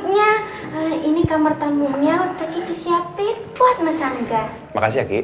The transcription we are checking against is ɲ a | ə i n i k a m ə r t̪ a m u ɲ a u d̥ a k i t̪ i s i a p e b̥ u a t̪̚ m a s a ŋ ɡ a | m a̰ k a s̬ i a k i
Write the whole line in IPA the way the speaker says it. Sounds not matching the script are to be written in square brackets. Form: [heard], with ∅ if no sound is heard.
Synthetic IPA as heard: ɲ a | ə i n i k a m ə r t̪ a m u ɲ a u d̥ a k i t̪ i s i a p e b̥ u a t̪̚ m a s a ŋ ɡ a | m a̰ k a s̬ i a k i

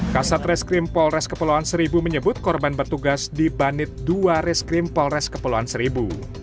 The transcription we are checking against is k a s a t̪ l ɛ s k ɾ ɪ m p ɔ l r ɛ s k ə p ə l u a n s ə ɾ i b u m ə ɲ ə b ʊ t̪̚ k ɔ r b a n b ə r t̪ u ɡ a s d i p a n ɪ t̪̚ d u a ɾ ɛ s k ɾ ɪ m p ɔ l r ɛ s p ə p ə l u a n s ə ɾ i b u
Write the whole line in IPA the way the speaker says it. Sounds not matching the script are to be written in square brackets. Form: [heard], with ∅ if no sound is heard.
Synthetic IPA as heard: k a s a t̪ [r] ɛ s k ɾ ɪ m p ɔ l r ɛ s k ə p ə l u a n s ə ɾ i b u m ə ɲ ə b ʊ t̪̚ k ɔ r b a n b ə r t̪ u ɡ a s d i [b] a n ɪ t̪̚ d u a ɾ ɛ s k ɾ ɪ m p ɔ l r ɛ s [k] ə p ə l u a n s ə ɾ i b u

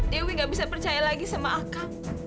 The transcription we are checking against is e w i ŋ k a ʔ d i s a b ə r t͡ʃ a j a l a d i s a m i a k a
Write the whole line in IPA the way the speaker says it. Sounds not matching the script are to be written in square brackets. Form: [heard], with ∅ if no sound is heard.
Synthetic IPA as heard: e w i ŋ [ɡ] a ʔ [b] i s a [p] ə r t͡ʃ a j a l a [ɡ] i s a m [a] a k a

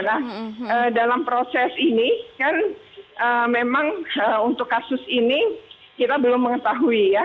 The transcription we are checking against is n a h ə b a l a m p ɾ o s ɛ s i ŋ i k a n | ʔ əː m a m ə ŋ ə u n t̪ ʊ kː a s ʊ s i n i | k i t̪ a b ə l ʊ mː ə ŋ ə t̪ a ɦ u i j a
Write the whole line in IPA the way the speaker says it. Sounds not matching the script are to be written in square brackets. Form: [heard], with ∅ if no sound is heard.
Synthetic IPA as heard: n a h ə [d] a l a m p ɾ o s ɛ s i [n] i k a n | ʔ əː m [e] m [a] ŋ ə u n t̪ ʊ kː a s ʊ s i n i | k i t̪ a b ə l ʊ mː ə ŋ ə t̪ a ɦ u i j a

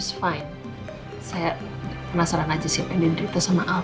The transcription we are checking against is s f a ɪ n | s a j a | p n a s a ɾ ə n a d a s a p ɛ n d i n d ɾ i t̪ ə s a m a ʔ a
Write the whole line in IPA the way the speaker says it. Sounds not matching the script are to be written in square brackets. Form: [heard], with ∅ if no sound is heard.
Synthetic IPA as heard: s f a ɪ n | s a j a | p n a s a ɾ [a] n a [d͡ʒ] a s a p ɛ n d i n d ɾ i t̪ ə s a m a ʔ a

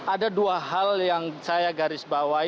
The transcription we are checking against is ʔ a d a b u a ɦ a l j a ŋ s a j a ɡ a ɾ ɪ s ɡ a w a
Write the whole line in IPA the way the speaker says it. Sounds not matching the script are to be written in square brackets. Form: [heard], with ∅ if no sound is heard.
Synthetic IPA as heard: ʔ a d a [d] u a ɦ a l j a ŋ s a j a ɡ a ɾ ɪ s [b] a w a

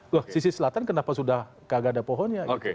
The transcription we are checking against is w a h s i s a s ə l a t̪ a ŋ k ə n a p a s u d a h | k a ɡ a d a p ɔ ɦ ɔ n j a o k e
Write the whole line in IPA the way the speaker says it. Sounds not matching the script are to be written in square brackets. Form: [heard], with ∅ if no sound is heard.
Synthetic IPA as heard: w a h s i s [i] s ə l a t̪ a [n] k ə n a p a s u d a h | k a ɡ a d a p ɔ ɦ ɔ n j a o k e

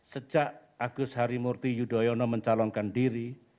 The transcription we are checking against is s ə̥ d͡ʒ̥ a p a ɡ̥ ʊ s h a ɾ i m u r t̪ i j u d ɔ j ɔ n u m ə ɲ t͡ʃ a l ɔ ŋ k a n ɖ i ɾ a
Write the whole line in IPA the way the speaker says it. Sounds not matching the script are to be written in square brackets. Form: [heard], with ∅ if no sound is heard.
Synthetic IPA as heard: s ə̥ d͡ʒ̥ a [ʔ] a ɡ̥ ʊ s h a ɾ i m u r t̪ i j u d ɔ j ɔ n [ɔ] m ə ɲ t͡ʃ a l ɔ ŋ k a n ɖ i ɾ [i]

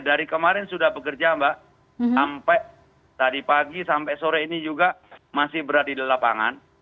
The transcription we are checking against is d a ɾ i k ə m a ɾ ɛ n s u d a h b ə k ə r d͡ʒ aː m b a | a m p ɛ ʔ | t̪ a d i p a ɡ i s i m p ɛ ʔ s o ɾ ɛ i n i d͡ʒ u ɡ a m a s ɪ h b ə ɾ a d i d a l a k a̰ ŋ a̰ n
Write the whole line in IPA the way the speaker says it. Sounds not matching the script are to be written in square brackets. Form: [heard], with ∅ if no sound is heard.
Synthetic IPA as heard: d a ɾ i k ə m a ɾ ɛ n s u d a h b ə k ə r d͡ʒ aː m b a | a m p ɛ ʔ | t̪ a d i p a ɡ i s [a] m p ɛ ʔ s o ɾ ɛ i n i d͡ʒ u ɡ a m a s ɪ h b ə ɾ a d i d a l a [p] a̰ ŋ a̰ n

